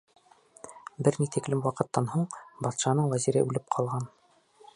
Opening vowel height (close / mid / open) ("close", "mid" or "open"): mid